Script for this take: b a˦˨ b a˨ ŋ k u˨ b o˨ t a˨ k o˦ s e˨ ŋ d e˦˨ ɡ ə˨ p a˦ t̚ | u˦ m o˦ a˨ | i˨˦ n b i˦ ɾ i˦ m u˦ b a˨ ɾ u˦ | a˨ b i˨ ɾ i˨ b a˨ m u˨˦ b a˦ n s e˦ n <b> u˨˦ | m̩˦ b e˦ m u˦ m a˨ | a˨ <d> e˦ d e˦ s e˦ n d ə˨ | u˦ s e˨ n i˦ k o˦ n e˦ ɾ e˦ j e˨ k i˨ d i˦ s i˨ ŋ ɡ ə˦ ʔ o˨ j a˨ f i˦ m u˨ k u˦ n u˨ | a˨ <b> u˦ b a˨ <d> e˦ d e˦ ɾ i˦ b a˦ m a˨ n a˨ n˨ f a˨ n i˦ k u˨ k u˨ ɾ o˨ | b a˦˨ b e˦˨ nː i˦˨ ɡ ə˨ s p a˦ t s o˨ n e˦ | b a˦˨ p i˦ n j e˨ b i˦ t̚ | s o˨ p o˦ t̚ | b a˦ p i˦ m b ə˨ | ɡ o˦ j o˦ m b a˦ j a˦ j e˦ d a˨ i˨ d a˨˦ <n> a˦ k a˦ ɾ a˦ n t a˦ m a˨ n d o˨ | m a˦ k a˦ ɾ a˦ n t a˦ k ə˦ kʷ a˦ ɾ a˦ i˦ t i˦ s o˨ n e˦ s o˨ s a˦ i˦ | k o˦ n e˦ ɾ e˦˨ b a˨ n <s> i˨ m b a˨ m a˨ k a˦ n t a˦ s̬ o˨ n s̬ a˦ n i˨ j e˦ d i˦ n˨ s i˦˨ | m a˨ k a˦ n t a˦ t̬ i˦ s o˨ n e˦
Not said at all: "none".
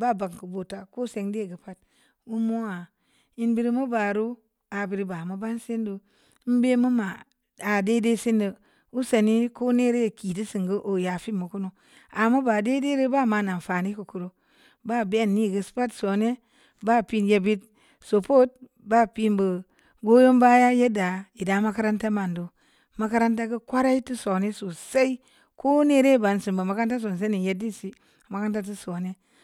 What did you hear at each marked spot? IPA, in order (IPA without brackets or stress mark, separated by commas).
d, d, m, d, m, s